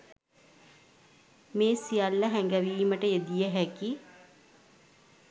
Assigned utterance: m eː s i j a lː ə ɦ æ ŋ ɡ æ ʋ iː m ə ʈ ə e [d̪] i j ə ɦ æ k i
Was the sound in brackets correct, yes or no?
yes